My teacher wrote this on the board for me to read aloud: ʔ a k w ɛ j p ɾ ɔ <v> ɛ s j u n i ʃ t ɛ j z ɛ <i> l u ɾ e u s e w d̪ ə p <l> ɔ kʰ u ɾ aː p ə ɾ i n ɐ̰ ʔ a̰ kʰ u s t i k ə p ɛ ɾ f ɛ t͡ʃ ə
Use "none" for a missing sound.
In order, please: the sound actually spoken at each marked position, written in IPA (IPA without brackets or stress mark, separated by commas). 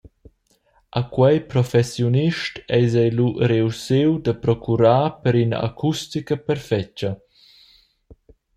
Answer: f, j, ɾ